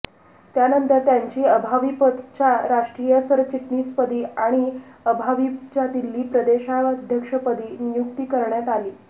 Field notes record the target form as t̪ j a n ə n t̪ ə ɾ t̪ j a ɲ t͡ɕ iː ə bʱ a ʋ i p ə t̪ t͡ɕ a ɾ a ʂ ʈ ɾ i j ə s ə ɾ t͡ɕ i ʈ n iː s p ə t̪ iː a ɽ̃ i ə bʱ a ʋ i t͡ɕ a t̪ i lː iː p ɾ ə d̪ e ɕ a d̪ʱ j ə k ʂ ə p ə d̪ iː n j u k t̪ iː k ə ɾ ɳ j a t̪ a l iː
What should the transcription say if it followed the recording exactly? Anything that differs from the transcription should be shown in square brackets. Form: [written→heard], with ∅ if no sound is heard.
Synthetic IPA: t̪ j a n ə n t̪ ə ɾ t̪ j a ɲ t͡ɕ iː ə bʱ a ʋ i p ə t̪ t͡ɕ a ɾ a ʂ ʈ ɾ i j ə s ə ɾ t͡ɕ i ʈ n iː s p ə [t̪→d̪] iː a ɽ̃ i ə bʱ a ʋ i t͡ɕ a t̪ i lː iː p ɾ ə d̪ e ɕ a d̪ʱ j ə k ʂ ə p ə d̪ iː n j u k t̪ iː k ə ɾ ɳ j a t̪ a l iː